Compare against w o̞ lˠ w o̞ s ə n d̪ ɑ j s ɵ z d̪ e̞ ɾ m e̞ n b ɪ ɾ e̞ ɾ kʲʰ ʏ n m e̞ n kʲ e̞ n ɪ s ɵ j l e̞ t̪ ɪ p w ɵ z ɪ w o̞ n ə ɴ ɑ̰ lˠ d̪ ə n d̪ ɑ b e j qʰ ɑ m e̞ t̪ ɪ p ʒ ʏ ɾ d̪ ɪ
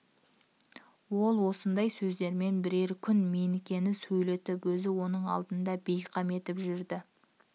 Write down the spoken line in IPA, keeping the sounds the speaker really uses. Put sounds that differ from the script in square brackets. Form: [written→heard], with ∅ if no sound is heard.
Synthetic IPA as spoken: w o̞ lˠ w o̞ s ə n d̪ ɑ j s ɵ z d̪ e̞ ɾ m e̞ n b ɪ ɾ e̞ ɾ kʲʰ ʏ n m e̞ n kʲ e̞ n ɪ s ɵ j l e̞ t̪ ɪ p w ɵ z ɪ w o̞ n ə ɴ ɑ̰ lˠ d̪ ə n d̪ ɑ b e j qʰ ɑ m e̞ t̪ ɪ p ʒ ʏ ɾ d̪ ɪ

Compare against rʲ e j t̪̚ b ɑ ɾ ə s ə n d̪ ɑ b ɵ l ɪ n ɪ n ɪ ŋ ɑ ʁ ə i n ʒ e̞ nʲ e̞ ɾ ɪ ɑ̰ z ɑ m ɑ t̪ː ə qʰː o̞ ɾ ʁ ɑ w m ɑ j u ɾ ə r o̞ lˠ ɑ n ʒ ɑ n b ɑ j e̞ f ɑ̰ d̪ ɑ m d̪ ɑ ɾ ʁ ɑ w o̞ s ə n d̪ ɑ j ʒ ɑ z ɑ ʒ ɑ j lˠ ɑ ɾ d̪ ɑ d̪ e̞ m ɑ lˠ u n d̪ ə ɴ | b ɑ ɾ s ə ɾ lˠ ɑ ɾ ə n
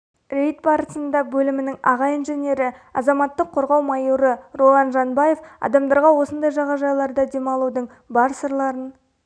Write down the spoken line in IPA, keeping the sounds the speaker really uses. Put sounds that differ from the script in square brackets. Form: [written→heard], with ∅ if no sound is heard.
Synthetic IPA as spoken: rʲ e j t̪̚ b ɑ ɾ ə s ə n d̪ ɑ b ɵ l ɪ [n→m] ɪ n ɪ ŋ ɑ ʁ [ə→ɑ] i n ʒ e̞ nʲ e̞ ɾ ɪ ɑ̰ z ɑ m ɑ t̪ː ə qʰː o̞ ɾ ʁ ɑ w m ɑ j u ɾ ə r o̞ lˠ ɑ n ʒ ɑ n b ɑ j e̞ f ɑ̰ d̪ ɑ m d̪ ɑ ɾ ʁ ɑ w o̞ s ə n d̪ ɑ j ʒ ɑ [z→ʁ] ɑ ʒ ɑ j lˠ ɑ ɾ d̪ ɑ d̪ e̞ m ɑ lˠ u [n→∅] d̪ ə ɴ | b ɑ ɾ s ə ɾ lˠ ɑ ɾ ə n

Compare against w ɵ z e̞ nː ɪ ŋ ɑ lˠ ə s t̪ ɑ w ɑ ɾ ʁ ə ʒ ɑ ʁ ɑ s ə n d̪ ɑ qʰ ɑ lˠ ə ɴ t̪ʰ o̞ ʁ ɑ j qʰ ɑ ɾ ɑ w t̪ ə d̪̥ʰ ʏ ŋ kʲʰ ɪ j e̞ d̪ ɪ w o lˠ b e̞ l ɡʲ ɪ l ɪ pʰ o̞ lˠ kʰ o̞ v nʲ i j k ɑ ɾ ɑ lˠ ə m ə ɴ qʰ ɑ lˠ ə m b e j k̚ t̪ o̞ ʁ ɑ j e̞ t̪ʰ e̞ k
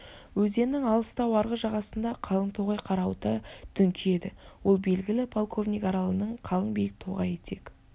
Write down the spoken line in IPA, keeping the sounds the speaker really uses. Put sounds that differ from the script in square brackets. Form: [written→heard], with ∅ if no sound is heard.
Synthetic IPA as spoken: w ɵ z e̞ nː ɪ ŋ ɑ lˠ ə s t̪ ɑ w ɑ ɾ ʁ ə ʒ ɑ ʁ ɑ s ə n d̪ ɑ qʰ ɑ lˠ ə ɴ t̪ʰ o̞ ʁ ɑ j qʰ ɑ ɾ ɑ w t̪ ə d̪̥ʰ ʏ ŋ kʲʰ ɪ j e̞ d̪ ɪ w o lˠ b e̞ l ɡʲ ɪ l ɪ pʰ o̞ lˠ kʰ o̞ v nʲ i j k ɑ ɾ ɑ lˠ ə [m→n] ə ɴ qʰ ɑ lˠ ə [m→ɴ] b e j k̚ [t̪→t̪ʰ] o̞ ʁ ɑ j e̞ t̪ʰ e̞ k

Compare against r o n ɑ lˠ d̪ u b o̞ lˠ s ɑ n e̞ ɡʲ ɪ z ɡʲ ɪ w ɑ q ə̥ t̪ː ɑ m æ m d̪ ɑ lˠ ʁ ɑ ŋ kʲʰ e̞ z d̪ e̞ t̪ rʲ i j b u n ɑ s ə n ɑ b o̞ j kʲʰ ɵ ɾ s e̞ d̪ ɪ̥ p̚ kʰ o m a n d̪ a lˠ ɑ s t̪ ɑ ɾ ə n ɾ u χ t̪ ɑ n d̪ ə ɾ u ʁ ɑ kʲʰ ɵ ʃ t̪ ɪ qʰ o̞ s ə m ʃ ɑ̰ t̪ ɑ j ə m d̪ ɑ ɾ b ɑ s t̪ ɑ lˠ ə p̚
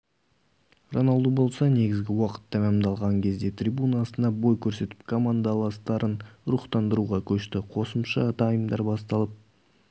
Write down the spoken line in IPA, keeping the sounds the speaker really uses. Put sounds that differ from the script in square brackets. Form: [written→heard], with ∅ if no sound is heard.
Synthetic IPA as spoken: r o n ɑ lˠ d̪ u b o̞ lˠ s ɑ n e̞ ɡʲ ɪ z ɡʲ ɪ w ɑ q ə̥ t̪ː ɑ m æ m d̪ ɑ lˠ ʁ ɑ ŋ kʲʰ e̞ z d̪ e̞ t̪ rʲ i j b u n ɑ s ə n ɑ b o̞ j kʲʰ ɵ ɾ s e̞ [d̪→t̪] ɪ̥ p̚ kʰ o m a n d̪ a lˠ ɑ s t̪ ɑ ɾ ə n ɾ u χ t̪ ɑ n d̪ ə ɾ u ʁ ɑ kʲʰ ɵ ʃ t̪ ɪ qʰ o̞ s ə m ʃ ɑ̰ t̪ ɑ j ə m d̪ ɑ ɾ b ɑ s t̪ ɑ lˠ ə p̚

